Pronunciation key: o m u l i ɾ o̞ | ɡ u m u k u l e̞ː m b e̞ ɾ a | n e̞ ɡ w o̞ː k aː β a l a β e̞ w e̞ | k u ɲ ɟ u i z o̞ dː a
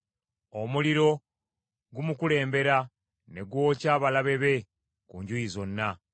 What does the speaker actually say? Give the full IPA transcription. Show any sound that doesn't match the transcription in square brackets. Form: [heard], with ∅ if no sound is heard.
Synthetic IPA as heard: o m u l i ɾ o̞ | ɡ u m u k u l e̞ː m b e̞ ɾ a | n e̞ ɡ w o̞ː [c] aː β a l a β e̞ [β] e̞ | k u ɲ ɟ u i z o̞ [nː] a